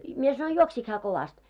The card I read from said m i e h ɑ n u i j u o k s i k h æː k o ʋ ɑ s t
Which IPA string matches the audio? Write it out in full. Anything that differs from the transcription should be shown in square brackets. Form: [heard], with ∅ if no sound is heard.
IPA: m i e [s] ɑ n [o] i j u o k s i k h æː k o ʋ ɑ s t

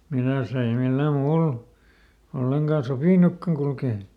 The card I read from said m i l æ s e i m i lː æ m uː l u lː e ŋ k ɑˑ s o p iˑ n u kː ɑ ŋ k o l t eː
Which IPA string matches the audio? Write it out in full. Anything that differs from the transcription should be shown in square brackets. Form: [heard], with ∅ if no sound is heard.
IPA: m i l æ s e i m i lː æ m uː l [o] lː e ŋ k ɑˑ s o p iˑ n u kː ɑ ŋ k [u] l [k] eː

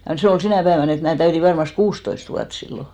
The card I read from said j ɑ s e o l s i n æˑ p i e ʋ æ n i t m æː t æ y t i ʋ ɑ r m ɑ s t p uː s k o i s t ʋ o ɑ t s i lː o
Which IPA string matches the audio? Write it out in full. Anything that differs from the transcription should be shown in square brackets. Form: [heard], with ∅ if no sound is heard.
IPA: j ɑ s e o l s i n æˑ p [æ] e ʋ æ n [e] t m æː t æ y t i ʋ ɑ r m ɑ s t [k] uː s [t] o i s t ʋ [u] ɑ t s i lː o

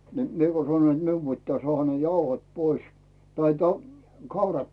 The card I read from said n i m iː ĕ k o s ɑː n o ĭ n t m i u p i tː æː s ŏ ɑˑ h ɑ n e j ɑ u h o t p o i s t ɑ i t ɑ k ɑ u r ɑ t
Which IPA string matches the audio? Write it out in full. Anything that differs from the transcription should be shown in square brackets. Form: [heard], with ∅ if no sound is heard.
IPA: n i m [i] ĕ k o s [ɑ] n o ĭ n t m i u p i tː æː s ŏ ɑˑ h ɑ n e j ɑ u h o t p o i s t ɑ i t ɑ k ɑ u r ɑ t

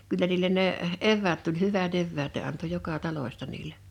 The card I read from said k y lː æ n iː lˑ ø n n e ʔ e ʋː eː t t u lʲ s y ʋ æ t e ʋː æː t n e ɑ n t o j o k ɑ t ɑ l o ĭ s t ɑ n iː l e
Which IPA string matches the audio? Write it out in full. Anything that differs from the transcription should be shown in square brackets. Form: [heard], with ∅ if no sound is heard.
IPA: k y lː æ n iː lˑ [e] n n e ʔ e ʋː [æː] t t u lʲ [h] y ʋ æ t e ʋː æː t n e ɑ n t o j o k ɑ t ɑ l o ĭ s t ɑ n iː l e

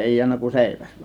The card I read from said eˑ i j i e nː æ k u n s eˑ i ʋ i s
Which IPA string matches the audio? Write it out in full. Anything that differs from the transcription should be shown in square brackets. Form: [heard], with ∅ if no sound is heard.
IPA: eˑ i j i [æ] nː æ k u n s eˑ i ʋ [æ] s

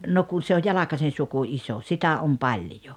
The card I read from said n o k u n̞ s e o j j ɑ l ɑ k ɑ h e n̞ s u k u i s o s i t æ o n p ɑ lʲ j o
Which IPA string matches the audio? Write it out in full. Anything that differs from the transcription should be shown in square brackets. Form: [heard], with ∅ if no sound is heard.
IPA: n o k u n̞ s e o j j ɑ l ɑ k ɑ [s] e n̞ s u k u i s o s i t æ o [m] p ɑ lʲ j o

